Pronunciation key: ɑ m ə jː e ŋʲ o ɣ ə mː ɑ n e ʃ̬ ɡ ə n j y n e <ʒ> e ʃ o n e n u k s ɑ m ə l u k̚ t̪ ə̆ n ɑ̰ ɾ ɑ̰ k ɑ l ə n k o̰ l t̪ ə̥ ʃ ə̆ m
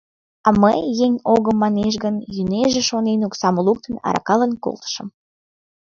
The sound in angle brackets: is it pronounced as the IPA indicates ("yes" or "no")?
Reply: yes